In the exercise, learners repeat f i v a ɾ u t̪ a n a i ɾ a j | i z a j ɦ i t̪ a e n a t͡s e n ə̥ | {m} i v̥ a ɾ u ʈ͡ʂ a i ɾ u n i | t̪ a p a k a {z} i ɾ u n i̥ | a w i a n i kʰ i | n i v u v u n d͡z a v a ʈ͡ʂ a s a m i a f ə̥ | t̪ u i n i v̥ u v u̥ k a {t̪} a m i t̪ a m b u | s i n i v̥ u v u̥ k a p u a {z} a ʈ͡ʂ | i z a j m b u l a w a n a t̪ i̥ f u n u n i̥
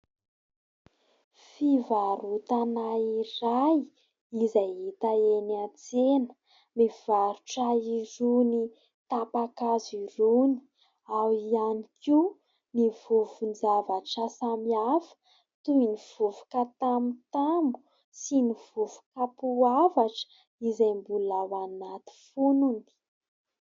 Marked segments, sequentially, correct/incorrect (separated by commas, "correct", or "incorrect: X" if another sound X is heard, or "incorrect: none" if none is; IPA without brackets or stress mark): correct, correct, correct, incorrect: v